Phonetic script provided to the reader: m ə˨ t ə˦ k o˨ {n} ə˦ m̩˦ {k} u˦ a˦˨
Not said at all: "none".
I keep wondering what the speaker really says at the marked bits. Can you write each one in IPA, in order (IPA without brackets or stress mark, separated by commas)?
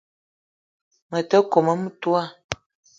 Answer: m, t